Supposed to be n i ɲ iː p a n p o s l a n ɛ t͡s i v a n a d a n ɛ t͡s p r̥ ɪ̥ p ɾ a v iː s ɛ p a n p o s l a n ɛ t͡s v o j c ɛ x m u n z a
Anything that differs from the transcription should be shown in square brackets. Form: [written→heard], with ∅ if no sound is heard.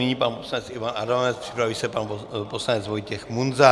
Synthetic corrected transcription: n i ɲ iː p a n p o s l a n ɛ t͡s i v a n a d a n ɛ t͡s p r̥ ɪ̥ p ɾ a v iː s ɛ p a n p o s l a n ɛ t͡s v o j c ɛ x m u n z a